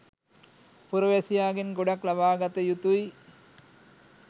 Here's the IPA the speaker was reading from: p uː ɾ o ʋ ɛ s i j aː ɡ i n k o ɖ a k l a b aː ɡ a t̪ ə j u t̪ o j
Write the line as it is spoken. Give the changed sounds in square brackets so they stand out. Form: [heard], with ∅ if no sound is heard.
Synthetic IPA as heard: p [u] ɾ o ʋ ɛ s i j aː ɡ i n [ɡ] o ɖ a k l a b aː ɡ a t̪ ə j u t̪ [u] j